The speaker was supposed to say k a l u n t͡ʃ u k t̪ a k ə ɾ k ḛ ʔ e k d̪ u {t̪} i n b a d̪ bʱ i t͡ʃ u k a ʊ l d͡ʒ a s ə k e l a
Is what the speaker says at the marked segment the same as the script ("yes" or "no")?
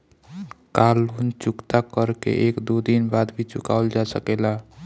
no